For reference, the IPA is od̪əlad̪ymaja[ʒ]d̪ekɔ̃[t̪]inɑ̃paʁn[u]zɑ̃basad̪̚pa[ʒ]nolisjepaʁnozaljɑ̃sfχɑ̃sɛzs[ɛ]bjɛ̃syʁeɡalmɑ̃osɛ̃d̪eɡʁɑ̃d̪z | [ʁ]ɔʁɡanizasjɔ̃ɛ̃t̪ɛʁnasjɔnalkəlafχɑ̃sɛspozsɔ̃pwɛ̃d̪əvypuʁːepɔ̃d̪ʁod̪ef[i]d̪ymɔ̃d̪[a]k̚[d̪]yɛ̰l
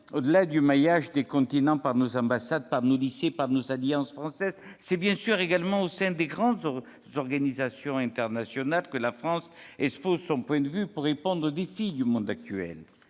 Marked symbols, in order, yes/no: yes, yes, no, no, yes, no, yes, yes, no

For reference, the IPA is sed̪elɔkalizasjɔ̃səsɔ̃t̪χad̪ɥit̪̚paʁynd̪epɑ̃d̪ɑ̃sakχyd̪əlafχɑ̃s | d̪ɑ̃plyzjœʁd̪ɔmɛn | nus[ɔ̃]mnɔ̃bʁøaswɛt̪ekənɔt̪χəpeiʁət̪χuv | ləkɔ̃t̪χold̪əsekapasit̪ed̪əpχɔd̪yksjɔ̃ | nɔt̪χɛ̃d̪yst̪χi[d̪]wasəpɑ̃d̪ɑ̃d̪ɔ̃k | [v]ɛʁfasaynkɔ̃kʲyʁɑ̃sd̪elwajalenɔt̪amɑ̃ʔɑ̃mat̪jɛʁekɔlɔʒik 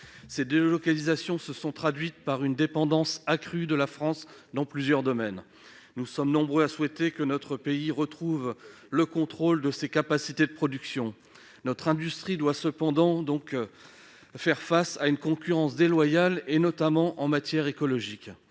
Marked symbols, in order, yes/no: no, yes, no

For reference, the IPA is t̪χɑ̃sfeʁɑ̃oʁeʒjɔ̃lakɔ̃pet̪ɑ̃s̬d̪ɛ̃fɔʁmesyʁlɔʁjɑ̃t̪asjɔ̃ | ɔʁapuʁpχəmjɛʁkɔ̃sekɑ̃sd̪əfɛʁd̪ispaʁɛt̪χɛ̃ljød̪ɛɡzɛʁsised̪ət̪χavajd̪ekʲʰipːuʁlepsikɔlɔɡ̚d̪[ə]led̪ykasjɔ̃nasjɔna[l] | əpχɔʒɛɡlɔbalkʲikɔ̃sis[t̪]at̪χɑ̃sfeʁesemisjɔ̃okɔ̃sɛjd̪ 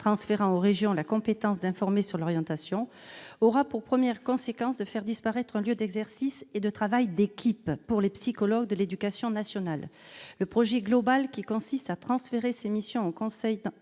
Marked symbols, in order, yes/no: yes, no, yes

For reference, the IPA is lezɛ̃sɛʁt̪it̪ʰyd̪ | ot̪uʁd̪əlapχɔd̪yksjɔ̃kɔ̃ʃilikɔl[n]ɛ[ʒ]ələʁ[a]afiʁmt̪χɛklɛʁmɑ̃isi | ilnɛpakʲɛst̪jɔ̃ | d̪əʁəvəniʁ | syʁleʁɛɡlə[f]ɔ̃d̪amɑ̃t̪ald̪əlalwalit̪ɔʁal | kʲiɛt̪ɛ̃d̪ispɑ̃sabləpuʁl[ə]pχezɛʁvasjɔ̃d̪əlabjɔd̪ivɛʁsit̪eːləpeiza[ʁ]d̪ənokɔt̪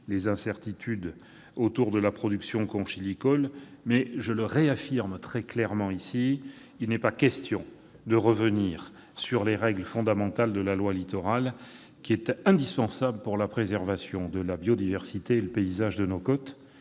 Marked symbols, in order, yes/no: no, yes, no, yes, no, no

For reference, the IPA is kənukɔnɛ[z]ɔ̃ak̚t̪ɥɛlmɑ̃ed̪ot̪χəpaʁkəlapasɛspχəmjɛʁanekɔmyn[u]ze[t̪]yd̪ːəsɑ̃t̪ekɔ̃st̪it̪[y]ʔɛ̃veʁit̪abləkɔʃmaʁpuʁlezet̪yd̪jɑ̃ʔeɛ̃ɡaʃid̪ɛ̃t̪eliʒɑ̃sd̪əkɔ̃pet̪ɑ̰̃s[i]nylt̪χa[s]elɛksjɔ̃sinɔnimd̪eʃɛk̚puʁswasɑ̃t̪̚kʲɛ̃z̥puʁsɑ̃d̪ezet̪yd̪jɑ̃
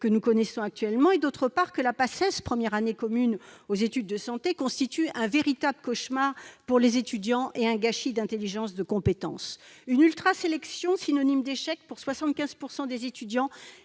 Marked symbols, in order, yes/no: no, no, yes, yes, no, yes

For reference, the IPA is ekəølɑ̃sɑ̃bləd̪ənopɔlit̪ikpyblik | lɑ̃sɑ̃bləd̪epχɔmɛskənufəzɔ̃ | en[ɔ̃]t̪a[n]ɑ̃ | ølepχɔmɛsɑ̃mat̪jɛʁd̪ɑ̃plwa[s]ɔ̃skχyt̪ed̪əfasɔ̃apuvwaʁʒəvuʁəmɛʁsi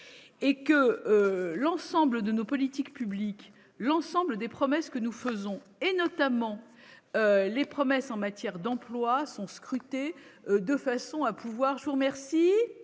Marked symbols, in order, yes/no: no, no, yes

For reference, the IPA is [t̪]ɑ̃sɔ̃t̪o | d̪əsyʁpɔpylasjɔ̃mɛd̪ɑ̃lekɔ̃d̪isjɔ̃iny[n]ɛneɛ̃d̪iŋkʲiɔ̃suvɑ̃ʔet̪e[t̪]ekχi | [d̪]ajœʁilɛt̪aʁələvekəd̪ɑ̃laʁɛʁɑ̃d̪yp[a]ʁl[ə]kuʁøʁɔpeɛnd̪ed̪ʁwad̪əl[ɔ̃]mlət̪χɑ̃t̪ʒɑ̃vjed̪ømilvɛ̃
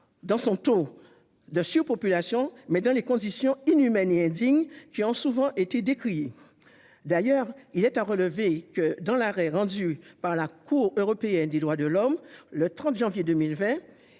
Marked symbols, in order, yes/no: no, no, no, yes, yes, no, no

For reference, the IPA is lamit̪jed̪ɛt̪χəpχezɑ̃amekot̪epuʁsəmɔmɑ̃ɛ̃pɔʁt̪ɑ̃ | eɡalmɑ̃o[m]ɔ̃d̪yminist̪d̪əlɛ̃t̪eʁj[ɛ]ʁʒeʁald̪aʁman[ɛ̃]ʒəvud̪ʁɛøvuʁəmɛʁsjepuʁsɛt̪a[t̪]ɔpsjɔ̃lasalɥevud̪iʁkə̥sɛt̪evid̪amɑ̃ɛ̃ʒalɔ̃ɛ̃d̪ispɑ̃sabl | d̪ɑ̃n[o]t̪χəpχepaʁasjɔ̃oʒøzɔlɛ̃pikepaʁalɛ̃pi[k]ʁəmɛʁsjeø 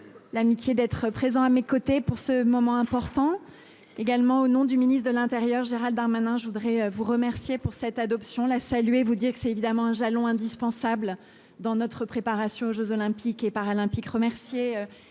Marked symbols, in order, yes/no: no, no, yes, no, no, yes

